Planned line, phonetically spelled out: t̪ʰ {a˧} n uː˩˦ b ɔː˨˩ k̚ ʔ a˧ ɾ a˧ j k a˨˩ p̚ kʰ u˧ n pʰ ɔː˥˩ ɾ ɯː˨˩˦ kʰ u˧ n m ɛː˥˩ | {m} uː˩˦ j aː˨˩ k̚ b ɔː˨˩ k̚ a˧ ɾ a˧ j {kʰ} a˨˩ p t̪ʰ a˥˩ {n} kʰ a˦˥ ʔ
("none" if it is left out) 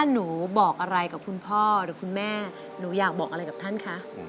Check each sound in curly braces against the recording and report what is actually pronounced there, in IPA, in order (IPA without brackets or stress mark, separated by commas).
a˥˩, n, k, n